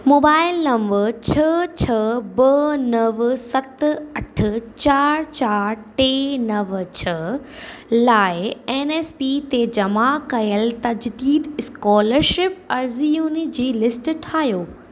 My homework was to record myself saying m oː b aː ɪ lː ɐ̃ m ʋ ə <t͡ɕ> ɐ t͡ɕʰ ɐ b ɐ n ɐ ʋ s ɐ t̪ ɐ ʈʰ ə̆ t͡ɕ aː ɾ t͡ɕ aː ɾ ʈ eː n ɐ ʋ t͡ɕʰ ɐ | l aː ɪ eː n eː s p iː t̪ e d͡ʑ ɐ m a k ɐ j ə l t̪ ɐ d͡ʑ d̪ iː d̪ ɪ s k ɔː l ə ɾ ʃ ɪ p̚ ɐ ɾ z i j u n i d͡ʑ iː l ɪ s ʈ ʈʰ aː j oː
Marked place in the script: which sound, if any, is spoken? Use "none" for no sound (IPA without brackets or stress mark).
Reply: t͡ɕʰ